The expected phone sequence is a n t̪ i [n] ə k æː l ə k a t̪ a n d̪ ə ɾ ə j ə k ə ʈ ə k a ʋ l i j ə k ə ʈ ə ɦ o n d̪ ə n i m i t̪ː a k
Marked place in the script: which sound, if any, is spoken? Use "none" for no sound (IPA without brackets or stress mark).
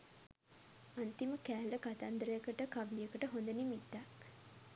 m